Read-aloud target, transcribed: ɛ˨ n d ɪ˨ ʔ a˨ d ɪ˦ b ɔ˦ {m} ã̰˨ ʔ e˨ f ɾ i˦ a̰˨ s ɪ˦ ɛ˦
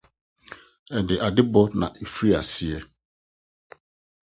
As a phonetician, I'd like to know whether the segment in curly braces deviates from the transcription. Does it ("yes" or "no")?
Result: yes